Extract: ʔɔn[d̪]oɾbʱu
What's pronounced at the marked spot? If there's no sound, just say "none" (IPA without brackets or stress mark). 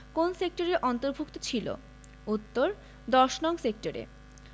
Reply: t̪